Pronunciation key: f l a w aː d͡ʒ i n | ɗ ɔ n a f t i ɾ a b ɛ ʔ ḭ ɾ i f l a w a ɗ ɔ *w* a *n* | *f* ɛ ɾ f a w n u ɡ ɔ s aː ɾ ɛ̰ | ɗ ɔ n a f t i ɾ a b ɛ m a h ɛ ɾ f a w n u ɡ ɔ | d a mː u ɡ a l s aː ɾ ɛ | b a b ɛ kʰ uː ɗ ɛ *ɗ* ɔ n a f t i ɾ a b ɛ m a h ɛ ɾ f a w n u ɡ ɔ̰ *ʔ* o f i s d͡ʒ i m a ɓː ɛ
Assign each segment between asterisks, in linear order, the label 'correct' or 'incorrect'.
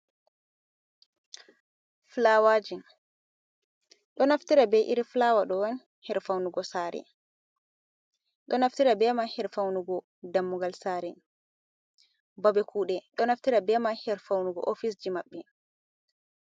correct, correct, incorrect, correct, correct

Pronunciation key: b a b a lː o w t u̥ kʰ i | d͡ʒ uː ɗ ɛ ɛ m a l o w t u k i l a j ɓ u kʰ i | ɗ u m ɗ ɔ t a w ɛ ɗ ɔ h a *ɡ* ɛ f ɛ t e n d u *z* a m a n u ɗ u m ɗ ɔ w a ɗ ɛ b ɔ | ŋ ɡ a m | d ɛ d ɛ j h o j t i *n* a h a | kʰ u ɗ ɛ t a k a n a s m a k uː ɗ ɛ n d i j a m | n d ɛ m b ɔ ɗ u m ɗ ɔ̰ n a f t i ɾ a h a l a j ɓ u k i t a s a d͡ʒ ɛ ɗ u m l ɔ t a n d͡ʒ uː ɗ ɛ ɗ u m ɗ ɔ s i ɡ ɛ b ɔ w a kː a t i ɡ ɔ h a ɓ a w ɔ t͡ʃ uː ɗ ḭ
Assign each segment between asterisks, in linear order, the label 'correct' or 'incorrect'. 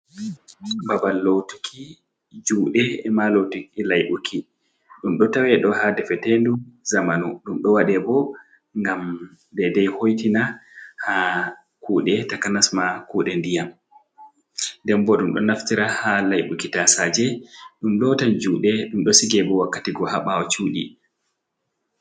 incorrect, correct, correct

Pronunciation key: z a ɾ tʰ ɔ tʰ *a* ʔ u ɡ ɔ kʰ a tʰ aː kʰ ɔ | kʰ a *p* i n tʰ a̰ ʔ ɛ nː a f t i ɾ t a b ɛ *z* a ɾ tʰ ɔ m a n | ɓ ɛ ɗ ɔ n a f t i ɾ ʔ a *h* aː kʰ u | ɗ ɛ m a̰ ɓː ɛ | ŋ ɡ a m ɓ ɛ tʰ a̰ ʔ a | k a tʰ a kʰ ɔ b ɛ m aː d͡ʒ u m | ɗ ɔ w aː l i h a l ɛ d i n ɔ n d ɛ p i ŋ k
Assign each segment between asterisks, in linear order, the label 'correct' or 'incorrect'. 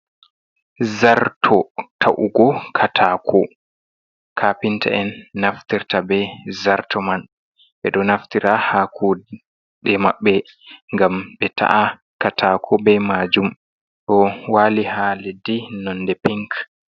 correct, correct, correct, correct

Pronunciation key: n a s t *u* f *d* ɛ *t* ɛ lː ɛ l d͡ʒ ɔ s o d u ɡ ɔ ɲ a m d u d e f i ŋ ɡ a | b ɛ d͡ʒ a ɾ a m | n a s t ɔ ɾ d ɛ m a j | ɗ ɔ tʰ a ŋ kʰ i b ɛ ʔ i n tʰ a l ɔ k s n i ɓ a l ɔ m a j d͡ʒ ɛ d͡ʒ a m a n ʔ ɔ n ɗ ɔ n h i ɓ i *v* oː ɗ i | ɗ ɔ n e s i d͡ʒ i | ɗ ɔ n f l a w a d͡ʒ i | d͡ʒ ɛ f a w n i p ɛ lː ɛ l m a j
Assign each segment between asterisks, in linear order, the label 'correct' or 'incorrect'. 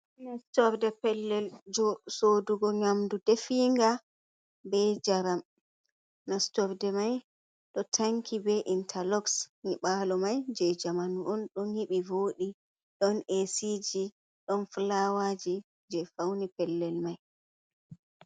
incorrect, correct, incorrect, correct

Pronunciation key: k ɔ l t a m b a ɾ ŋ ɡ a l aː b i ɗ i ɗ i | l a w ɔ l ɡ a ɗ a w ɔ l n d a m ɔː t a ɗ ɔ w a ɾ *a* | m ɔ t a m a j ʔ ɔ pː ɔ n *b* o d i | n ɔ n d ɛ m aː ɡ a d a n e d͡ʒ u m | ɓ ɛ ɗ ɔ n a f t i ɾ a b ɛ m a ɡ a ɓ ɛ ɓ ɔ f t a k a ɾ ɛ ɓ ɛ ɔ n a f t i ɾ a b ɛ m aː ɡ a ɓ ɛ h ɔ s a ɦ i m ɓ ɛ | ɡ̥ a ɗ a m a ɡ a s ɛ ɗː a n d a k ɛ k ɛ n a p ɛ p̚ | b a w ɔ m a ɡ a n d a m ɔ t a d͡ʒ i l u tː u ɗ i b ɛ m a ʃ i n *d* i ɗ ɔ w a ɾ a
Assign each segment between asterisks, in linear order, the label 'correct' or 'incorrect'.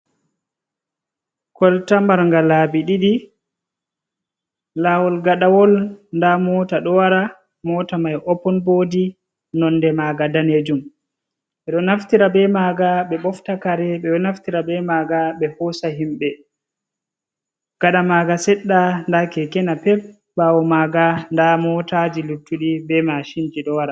correct, correct, incorrect

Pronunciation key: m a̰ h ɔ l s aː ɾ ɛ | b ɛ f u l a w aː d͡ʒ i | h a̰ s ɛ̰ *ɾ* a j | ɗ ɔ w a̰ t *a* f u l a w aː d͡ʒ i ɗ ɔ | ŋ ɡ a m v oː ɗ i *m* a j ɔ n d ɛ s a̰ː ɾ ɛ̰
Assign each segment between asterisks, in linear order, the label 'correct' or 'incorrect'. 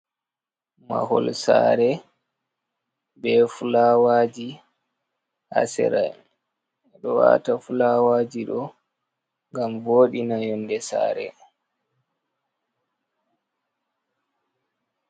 correct, correct, incorrect

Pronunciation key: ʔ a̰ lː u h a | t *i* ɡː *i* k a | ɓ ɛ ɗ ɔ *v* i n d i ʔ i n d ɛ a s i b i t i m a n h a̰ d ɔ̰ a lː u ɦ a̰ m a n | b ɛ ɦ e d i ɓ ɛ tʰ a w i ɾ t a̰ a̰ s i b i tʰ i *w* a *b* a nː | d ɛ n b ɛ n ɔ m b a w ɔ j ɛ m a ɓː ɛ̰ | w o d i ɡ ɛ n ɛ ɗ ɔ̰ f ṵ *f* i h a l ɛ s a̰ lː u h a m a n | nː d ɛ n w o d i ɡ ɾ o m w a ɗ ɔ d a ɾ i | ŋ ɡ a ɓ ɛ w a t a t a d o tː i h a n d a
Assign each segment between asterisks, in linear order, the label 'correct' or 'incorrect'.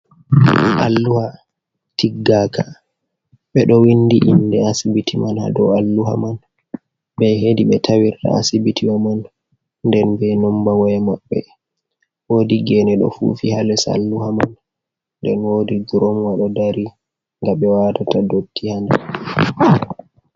correct, incorrect, incorrect, correct, incorrect, correct

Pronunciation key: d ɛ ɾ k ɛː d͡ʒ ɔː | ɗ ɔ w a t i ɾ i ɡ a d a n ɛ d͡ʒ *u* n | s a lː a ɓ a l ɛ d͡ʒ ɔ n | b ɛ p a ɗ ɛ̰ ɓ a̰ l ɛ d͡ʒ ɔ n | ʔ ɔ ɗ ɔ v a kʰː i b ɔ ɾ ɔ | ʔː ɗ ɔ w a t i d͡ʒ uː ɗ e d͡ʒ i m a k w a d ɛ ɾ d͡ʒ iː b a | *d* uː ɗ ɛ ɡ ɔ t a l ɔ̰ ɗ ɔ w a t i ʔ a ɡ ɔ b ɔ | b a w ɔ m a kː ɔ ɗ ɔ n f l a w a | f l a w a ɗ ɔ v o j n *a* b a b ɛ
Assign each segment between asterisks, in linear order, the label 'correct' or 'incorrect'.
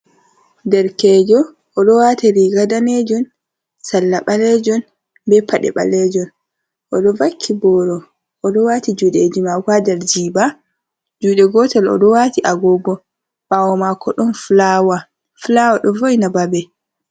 incorrect, incorrect, correct

